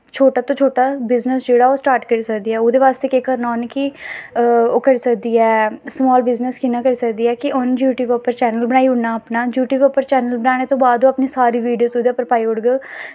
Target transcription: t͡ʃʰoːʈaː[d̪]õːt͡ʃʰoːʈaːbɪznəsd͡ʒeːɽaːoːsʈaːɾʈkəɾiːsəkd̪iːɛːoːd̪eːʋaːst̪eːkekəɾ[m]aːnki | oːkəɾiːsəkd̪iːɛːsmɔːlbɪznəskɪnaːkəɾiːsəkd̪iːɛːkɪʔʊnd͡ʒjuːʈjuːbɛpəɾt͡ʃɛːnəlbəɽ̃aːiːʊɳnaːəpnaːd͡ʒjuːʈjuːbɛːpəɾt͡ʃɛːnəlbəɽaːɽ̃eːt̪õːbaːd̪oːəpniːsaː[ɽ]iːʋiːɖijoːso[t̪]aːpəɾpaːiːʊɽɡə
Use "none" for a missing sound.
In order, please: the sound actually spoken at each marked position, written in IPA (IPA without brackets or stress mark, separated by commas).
t̪, n, ɾ, d̪